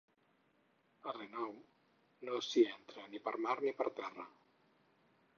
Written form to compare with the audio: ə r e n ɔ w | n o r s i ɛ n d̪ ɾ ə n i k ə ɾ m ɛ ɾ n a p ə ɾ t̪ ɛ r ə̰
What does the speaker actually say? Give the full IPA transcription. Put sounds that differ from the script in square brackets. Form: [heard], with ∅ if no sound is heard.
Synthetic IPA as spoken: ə r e n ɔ w | n o [∅] s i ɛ n [t̪] ɾ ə n i [p] ə ɾ m [a] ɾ n [i] p ə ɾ t̪ ɛ r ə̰